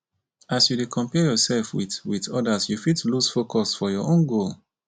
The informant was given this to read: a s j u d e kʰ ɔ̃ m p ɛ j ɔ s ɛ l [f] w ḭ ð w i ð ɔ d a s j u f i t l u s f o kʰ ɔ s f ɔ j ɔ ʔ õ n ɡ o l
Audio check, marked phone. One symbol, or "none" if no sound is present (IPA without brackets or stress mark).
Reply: f